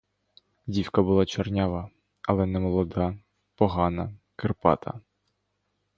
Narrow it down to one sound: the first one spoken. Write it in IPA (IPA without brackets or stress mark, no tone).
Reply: dʲ